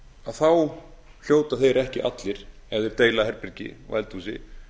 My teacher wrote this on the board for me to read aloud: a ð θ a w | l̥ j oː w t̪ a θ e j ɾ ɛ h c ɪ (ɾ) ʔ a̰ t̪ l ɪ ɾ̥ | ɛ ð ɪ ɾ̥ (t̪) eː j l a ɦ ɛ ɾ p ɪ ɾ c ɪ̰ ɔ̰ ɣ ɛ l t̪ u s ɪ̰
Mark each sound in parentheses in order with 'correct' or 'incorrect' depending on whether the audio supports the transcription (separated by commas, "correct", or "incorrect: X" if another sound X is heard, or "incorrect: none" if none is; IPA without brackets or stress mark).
incorrect: none, correct